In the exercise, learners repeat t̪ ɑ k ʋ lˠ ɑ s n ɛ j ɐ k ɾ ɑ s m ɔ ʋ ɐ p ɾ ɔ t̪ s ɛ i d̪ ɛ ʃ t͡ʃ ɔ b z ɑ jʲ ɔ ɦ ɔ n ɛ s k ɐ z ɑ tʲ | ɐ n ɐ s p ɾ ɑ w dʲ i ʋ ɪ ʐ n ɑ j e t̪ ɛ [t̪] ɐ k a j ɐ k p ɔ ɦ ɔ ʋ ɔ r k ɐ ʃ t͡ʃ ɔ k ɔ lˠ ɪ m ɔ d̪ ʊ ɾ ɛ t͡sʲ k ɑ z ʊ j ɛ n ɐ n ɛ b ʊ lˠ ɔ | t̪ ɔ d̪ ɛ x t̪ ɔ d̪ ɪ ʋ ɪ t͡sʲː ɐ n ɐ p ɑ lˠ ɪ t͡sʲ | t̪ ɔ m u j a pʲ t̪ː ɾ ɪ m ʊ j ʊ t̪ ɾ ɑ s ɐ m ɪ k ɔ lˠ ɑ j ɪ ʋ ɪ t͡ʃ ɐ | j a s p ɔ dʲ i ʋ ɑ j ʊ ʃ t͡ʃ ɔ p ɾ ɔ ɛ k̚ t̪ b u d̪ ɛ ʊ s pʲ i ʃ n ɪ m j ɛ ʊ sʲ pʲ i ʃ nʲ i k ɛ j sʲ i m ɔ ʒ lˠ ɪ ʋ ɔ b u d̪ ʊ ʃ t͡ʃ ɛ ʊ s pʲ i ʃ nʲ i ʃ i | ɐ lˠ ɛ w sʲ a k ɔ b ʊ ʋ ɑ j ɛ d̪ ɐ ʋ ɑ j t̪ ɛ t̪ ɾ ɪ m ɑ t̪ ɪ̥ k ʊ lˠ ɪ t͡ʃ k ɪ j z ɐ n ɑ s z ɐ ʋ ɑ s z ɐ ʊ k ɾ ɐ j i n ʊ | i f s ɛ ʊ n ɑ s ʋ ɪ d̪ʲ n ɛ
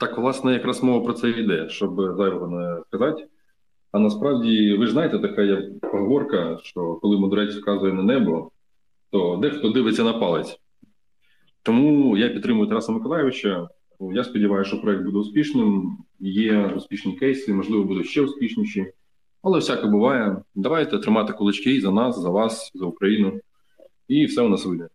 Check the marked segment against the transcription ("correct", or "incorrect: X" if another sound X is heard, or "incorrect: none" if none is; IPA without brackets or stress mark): correct